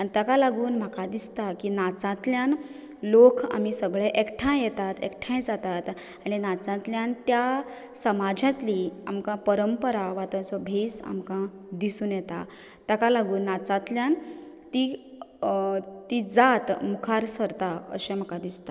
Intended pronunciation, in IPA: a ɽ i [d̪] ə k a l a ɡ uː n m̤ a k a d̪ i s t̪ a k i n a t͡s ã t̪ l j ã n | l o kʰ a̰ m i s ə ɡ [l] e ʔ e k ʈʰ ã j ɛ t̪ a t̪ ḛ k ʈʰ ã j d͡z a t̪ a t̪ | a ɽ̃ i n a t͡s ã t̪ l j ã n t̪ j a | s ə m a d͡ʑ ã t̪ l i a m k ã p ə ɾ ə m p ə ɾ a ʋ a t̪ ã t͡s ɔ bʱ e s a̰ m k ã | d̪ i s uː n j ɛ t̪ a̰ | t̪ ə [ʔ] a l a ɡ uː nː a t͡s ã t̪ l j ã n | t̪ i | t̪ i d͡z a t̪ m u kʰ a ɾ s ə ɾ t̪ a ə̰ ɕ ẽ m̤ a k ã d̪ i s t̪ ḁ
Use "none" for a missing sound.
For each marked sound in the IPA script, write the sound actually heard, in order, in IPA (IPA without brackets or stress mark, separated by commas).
t̪, ɭ, k